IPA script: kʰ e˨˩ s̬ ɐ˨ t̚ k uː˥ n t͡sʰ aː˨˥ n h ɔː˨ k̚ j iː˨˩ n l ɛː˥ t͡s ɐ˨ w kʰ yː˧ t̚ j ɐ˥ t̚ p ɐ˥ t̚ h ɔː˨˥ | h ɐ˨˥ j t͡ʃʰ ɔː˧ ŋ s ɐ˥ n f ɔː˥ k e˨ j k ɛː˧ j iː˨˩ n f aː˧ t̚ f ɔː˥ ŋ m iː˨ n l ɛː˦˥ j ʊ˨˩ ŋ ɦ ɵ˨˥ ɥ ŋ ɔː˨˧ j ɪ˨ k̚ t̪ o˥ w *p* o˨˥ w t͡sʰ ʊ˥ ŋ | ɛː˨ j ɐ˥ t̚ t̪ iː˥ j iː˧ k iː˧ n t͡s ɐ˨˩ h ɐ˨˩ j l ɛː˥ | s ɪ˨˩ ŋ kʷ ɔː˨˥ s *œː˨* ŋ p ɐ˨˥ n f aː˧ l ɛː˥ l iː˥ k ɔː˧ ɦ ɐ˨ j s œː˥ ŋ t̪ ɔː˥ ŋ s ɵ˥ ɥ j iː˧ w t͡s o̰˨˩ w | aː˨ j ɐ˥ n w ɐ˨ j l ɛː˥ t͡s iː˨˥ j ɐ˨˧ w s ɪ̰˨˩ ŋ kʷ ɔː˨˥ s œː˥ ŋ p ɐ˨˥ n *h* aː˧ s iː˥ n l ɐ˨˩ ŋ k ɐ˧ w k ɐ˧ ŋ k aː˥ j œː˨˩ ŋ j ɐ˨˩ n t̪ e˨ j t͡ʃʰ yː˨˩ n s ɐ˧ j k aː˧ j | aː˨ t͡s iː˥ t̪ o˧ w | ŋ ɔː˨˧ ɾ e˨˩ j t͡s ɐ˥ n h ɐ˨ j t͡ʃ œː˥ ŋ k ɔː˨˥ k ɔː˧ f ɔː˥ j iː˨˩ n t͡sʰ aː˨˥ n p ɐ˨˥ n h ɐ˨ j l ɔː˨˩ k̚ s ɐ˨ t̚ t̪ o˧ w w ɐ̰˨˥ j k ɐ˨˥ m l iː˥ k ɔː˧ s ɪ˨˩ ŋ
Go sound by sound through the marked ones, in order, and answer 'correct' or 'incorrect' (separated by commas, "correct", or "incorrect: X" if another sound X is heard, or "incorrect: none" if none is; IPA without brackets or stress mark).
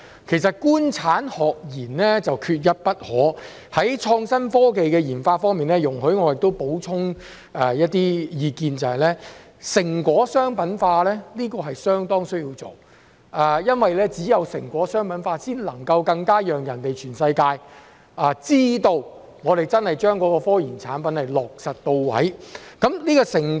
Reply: correct, incorrect: œː˥, incorrect: f